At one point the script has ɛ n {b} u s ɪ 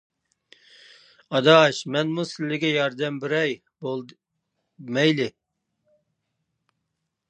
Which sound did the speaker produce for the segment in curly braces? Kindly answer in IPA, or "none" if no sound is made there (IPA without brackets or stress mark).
m